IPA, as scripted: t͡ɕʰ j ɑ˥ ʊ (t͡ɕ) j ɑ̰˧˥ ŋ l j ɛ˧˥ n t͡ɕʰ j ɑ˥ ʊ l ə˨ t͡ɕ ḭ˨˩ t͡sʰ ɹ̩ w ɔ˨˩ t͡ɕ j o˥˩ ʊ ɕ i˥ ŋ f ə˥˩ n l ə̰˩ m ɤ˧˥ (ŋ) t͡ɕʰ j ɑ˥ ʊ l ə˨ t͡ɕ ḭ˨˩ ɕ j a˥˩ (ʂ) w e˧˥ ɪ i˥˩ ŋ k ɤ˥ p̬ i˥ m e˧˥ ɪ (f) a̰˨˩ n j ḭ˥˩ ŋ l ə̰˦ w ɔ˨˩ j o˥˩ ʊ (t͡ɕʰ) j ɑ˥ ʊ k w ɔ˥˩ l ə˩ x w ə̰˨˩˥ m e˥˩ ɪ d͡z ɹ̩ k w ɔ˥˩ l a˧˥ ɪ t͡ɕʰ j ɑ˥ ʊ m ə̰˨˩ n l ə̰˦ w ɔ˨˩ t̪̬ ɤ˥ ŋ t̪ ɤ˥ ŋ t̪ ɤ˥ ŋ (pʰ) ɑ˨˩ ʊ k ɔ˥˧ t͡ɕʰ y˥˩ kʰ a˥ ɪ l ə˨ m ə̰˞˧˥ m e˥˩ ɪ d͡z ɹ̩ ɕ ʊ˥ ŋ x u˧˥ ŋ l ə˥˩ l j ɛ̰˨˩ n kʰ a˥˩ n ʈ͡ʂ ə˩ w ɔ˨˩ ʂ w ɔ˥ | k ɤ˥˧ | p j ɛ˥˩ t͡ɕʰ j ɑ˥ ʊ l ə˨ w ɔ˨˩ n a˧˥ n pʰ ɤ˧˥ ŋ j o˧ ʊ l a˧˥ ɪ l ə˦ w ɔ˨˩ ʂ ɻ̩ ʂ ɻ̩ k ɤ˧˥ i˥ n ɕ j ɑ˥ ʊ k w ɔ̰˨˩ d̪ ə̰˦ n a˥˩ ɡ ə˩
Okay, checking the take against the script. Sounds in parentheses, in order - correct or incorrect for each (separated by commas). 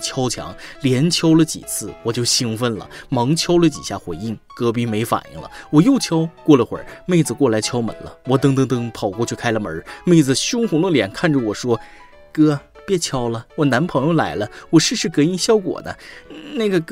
incorrect, correct, incorrect, correct, correct, correct